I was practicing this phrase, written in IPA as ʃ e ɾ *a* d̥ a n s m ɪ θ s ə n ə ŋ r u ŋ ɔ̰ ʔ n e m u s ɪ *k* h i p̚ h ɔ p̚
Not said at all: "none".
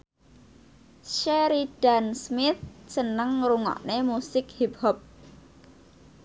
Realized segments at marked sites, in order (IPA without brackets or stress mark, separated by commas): i, k